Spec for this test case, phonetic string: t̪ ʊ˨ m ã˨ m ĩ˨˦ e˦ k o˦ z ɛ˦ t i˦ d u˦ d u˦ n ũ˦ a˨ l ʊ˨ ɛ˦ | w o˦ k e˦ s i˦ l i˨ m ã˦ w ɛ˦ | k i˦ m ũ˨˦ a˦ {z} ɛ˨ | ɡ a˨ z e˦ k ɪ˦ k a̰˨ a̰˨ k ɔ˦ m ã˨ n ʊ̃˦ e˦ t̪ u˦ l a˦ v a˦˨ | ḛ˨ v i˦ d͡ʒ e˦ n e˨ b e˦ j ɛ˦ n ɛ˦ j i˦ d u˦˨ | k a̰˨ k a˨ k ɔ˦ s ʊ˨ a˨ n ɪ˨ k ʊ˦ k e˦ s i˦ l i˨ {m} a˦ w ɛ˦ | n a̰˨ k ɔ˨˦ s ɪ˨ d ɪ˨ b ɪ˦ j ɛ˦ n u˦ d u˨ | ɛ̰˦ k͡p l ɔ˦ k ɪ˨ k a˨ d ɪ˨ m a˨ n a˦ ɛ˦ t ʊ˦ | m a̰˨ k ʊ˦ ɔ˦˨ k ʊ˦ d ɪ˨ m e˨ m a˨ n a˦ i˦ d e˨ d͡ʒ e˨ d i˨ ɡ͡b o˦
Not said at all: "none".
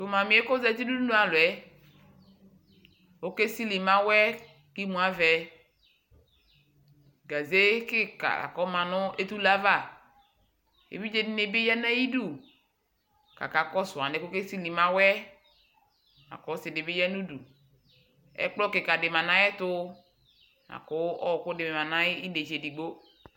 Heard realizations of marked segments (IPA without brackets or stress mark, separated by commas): v, m